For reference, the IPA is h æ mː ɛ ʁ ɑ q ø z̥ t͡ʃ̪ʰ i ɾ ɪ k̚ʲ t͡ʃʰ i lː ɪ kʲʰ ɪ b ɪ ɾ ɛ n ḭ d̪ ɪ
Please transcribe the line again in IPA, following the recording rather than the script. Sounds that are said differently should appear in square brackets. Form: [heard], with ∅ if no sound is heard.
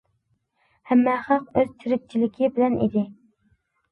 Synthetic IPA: h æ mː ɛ [χ] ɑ q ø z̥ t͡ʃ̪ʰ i ɾ ɪ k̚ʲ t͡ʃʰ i [l] ɪ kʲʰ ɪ b ɪ [l] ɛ n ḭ d̪ ɪ